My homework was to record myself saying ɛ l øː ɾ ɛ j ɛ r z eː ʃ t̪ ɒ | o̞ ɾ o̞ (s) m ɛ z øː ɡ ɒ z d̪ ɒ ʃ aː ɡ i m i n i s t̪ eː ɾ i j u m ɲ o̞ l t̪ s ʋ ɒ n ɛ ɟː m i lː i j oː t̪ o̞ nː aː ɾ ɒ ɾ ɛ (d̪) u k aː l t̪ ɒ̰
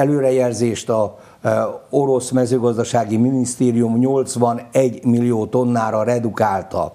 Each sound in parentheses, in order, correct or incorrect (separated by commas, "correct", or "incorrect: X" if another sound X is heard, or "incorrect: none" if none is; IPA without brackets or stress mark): correct, correct